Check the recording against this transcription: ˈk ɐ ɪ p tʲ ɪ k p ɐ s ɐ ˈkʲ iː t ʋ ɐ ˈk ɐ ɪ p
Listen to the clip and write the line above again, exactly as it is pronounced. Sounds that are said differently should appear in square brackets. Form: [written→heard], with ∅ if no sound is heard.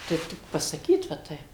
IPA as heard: [ˈk→ˈt] ɐ ɪ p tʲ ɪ k p ɐ s ɐ ˈkʲ iː t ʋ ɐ [ˈk→ˈt] ɐ ɪ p